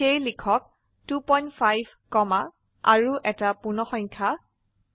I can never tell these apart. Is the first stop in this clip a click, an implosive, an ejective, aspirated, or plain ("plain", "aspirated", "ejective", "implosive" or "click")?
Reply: aspirated